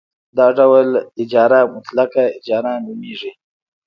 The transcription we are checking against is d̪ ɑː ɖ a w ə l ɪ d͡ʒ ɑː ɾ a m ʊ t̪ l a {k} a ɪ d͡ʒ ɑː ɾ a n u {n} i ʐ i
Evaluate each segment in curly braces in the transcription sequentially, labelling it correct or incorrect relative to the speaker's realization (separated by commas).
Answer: correct, incorrect